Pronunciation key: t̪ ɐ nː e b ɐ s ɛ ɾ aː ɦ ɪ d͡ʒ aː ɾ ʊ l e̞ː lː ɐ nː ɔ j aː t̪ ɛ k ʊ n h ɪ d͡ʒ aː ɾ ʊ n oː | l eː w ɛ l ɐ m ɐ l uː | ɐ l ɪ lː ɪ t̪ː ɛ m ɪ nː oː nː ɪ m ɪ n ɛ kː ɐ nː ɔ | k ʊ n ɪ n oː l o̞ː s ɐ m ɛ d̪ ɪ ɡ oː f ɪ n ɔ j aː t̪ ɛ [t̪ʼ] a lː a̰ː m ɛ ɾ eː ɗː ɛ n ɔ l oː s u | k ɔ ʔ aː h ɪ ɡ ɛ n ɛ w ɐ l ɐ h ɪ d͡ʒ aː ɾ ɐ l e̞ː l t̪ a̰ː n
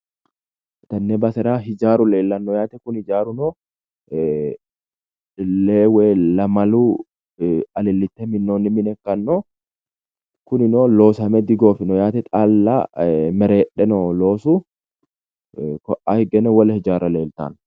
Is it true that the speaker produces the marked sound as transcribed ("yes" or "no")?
yes